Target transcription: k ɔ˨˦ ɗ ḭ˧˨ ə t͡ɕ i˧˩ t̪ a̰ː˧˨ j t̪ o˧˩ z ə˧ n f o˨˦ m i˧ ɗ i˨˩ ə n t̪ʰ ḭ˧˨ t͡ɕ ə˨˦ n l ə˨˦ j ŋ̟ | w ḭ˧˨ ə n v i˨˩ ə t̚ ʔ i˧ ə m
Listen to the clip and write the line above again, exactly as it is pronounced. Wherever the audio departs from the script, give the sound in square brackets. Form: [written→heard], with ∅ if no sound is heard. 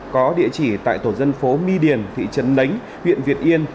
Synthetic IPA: k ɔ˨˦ ɗ ḭ˧˨ ə t͡ɕ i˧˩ t̪ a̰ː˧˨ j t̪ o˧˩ z ə˧ n f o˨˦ m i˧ ɗ i˨˩ ə n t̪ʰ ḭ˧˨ t͡ɕ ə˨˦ n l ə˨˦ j ŋ̟ | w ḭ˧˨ ə n v i˨˩ ə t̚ ʔ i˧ ə [m→n]